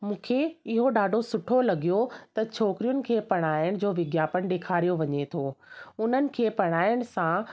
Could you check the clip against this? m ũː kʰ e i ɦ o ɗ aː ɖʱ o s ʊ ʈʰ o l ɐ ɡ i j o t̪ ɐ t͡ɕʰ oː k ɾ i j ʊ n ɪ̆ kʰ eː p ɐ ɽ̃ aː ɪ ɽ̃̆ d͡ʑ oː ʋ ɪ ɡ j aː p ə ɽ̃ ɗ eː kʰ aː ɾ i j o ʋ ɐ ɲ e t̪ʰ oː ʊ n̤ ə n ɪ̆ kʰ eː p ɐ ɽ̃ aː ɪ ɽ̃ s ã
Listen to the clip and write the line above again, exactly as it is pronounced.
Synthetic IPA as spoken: m ũː kʰ e ɪ ɦ o ɗ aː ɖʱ o s ʊ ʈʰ o l ɐ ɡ i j o t̪ ɐ t͡ɕʰ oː k ɾ i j ʊ n ɪ̆ kʰ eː p ɐ ɽ̃ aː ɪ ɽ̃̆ d͡ʑ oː ʋ ɪ ɡ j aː p ə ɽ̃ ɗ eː kʰ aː ɾ i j o ʋ ɐ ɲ e t̪ʰ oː ʊ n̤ ə n ɪ̆ kʰ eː p ɐ ɽ̃ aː ɪ ɽ̃ s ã